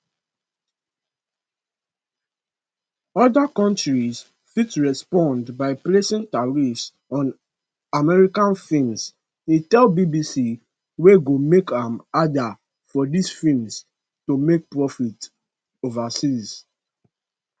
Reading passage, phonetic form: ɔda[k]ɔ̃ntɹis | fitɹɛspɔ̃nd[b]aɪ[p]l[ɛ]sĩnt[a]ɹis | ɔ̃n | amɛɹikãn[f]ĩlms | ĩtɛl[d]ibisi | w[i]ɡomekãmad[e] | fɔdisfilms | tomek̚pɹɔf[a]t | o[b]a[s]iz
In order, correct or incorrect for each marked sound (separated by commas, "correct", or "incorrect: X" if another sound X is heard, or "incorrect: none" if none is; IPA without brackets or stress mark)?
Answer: correct, correct, correct, incorrect: e, correct, correct, incorrect: b, incorrect: e, incorrect: a, incorrect: i, incorrect: v, correct